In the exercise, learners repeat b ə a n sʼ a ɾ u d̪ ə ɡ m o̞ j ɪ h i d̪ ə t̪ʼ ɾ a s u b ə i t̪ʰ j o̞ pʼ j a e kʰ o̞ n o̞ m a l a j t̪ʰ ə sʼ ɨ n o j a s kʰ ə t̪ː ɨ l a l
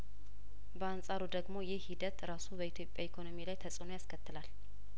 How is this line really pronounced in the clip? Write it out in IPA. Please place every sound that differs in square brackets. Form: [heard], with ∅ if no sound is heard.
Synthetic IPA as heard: b ə a n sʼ a ɾ u d̪ ə ɡ m o̞ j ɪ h i d̪ ə [t̪] ɾ a s u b ə i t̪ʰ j o̞ pʼ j a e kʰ o̞ n o̞ m [i] l a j t̪ʰ ə sʼ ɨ n o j a s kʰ ə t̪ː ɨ l a l